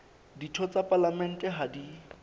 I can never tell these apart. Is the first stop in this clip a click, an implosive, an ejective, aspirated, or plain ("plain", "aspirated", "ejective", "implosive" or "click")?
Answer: plain